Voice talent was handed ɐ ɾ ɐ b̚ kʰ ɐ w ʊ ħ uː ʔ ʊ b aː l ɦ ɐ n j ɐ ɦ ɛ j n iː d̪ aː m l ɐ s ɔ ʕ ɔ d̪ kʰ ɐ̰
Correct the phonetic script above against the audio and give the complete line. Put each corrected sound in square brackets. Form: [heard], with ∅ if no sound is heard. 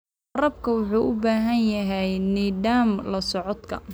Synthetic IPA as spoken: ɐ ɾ ɐ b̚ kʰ ɐ w ʊ ħ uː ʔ ʊ b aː [∅] ɦ ɐ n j ɐ ɦ ɛ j n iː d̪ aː m l ɐ s ɔ ʕ ɔ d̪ kʰ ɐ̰